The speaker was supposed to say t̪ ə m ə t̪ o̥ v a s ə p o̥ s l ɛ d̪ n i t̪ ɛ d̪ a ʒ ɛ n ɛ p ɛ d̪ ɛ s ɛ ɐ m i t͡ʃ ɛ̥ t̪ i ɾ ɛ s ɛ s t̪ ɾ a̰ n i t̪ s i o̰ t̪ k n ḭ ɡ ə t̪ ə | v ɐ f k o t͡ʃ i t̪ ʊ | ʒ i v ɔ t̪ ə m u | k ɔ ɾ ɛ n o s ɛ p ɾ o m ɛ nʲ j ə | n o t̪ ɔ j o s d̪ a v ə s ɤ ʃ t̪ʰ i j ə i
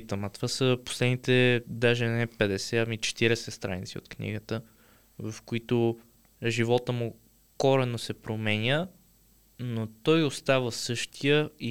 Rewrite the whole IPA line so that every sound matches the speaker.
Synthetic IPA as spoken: t̪ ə m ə t̪ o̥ v a s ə p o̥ s l ɛ d̪ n i t̪ ɛ d̪ a ʒ ɛ n ɛ p ɛ d̪ ɛ s ɛ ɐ m i t͡ʃ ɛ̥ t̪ i ɾ ɛ s ɛ s t̪ ɾ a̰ n i t̪ s i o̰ t̪ k n ḭ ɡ ə t̪ ə | v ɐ f k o i t̪ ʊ | ʒ i v ɔ t̪ ə m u | k ɔ ɾ ɛ n o s ɛ p ɾ o m ɛ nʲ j ə | n o t̪ ɔ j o s t̪ a v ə s ɤ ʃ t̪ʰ i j ə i